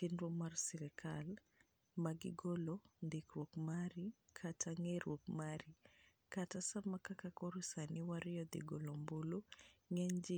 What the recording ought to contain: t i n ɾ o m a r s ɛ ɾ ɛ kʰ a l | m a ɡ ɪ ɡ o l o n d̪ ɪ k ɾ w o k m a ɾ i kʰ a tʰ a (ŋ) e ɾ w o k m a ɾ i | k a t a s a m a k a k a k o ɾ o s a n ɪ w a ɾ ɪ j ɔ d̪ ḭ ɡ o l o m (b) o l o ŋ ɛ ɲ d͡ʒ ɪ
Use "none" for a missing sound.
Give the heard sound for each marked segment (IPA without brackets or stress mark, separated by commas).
ŋ, b